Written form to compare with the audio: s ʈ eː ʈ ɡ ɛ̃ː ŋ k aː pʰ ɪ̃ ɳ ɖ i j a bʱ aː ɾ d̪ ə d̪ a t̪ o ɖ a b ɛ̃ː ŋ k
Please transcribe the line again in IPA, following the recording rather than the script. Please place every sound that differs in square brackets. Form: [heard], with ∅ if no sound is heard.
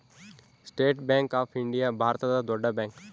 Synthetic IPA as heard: s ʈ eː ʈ [b] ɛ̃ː ŋ k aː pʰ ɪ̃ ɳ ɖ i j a bʱ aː ɾ [t̪] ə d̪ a [d̪] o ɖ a b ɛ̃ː ŋ k